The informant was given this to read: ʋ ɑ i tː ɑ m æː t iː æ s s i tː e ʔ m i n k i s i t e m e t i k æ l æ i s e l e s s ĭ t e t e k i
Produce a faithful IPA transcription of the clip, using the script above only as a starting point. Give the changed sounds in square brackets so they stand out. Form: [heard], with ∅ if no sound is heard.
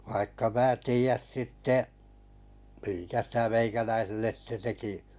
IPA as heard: ʋ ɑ i [kː] ɑ m æː t iː æ s s i tː e ʔ m i [ŋ] k [æ] s i t [æ] m e [∅] i k æ l æ i s e [lː] e s s ĭ t e t e k i